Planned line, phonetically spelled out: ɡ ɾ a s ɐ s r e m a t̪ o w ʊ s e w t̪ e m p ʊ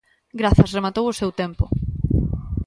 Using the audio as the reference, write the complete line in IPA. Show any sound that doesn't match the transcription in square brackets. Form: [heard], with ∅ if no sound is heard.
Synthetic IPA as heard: ɡ ɾ a [θ] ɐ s r e m a t̪ o w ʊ s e w t̪ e m p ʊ

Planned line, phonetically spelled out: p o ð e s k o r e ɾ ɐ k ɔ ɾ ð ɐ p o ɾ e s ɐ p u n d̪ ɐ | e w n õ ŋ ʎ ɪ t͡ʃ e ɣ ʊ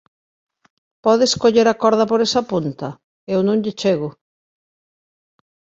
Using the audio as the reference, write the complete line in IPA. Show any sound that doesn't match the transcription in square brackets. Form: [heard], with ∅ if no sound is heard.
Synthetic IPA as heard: p [ɔ] ð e s k o [ʎ] e ɾ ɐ k ɔ ɾ ð ɐ p o ɾ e s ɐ p u n [t̪] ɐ | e w n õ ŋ ʎ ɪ t͡ʃ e ɣ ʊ

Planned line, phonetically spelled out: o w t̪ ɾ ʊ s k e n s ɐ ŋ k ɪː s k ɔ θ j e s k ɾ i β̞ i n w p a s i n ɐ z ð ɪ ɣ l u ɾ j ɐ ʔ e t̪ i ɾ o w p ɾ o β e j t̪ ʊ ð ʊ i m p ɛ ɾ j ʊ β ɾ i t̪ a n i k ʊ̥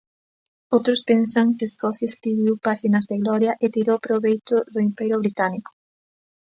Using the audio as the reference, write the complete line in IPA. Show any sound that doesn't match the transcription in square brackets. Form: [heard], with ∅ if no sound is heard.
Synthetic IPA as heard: o w t̪ ɾ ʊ s [p] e n s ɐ ŋ k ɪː s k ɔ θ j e s k ɾ i β̞ i [∅] w p a [ʃ] i n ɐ z ð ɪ ɣ l [ɔ] ɾ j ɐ ʔ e t̪ i ɾ o w p ɾ o β e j t̪ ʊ ð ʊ i m p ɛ ɾ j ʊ β ɾ i t̪ a n i k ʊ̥

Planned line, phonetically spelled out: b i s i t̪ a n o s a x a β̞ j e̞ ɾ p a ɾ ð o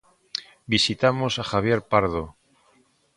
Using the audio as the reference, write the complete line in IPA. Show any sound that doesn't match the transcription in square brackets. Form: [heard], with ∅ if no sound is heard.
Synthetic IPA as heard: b i s i t̪ a [m] o s a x a β̞ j e̞ ɾ p a ɾ ð o

